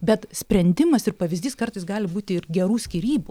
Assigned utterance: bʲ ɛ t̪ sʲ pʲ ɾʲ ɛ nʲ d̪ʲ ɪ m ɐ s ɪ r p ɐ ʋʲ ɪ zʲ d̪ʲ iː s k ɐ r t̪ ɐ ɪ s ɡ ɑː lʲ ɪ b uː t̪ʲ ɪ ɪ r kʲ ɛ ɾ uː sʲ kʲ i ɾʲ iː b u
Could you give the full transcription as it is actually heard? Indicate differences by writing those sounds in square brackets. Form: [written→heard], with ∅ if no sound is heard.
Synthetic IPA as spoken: bʲ ɛ t̪ sʲ pʲ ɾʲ ɛ nʲ d̪ʲ ɪ m ɐ s ɪ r p ɐ ʋʲ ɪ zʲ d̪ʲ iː s k ɐ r t̪ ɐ ɪ s ɡ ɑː lʲ ɪ b uː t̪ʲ ɪ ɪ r [kʲ→ɡʲ] ɛ ɾ uː sʲ kʲ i ɾʲ iː b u